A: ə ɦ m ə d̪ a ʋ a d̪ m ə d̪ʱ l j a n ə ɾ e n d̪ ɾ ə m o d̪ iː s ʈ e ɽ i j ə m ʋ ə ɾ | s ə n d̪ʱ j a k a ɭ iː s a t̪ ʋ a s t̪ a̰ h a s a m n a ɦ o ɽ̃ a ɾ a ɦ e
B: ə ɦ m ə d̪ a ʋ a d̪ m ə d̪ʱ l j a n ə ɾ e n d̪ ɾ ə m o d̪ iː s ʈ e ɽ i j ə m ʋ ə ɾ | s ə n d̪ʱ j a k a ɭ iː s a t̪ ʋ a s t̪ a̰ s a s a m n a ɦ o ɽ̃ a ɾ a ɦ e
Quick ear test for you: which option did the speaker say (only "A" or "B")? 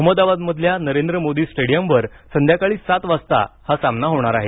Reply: A